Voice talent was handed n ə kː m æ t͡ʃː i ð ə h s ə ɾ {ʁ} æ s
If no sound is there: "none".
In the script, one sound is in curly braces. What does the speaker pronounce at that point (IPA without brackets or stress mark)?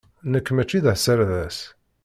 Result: ð